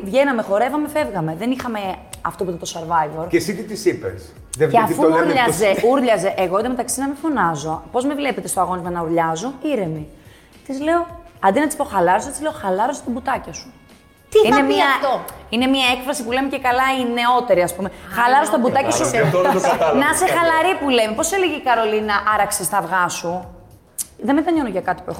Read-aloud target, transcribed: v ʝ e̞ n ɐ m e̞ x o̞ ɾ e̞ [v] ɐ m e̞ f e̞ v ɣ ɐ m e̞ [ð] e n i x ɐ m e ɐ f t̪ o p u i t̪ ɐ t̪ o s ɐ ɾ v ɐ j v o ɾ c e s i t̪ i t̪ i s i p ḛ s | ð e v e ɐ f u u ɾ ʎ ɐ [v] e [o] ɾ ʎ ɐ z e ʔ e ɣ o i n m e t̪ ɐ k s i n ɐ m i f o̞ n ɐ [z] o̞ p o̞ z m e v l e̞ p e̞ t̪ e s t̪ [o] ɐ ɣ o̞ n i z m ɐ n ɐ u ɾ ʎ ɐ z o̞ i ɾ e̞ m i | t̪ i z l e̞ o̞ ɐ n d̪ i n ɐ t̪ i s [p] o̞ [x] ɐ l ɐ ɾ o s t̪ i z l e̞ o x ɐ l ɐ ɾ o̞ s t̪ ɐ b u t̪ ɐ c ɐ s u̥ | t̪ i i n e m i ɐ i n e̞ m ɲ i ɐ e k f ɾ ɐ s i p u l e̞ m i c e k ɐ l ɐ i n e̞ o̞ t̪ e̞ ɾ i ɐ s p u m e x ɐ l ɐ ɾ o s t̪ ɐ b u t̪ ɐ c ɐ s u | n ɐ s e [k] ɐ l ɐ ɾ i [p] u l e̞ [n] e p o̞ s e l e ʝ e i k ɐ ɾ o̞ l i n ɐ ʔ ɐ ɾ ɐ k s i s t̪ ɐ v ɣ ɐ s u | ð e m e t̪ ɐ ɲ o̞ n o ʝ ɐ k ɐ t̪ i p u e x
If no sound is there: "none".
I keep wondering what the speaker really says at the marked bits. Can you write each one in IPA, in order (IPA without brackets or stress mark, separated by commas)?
v, ð, z, u, z, o, p, x, x, p, m